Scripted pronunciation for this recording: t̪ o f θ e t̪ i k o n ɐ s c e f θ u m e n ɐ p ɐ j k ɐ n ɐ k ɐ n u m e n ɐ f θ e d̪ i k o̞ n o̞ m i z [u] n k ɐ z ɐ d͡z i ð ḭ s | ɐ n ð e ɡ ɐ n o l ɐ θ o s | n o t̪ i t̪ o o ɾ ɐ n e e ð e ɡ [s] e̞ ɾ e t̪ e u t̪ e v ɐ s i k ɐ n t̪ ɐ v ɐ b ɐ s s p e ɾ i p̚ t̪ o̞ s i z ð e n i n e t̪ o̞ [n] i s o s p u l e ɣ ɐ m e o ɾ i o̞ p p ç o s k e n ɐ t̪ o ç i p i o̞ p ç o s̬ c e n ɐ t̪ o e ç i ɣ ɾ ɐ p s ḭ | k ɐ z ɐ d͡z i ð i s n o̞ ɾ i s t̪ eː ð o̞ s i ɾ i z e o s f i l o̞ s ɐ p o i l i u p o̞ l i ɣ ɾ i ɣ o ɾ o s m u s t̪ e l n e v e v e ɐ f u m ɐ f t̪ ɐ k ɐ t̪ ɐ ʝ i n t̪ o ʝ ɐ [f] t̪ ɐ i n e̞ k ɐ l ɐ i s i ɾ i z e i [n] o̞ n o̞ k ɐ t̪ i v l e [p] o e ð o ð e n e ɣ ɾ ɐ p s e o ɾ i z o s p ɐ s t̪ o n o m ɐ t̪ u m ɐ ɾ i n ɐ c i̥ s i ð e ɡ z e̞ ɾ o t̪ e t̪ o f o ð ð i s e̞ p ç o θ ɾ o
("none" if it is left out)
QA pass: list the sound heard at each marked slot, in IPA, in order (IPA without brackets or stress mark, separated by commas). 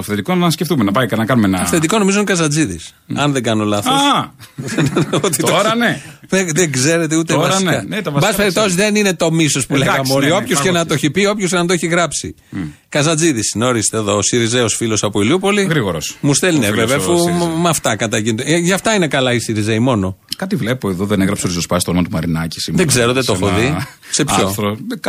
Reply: o, z, m, f, m, p